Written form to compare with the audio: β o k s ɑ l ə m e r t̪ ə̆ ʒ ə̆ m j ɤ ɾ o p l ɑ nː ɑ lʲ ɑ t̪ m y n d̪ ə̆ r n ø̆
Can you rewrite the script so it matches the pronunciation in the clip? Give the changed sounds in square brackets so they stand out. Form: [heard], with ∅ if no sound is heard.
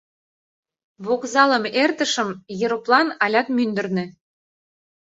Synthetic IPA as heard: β o k [z] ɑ l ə m e r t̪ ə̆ [ʃ] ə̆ m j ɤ ɾ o p l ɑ [n] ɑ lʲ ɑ t̪ m y n d̪ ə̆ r n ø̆